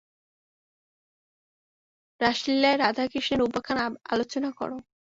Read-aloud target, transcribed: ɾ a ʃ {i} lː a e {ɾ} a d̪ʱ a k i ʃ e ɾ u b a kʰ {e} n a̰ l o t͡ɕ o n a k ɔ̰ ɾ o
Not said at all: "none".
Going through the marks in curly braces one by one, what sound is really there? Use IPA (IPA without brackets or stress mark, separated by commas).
i, ɾ, a